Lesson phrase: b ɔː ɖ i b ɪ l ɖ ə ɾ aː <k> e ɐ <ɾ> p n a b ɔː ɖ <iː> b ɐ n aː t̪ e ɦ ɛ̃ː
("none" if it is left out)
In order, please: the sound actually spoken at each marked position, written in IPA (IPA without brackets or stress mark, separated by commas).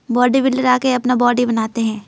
k, none, i